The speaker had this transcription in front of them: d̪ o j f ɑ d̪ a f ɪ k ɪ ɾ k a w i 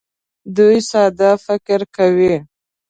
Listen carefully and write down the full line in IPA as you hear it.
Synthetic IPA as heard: d̪ u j s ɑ d̪ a f ɪ k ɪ ɾ k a w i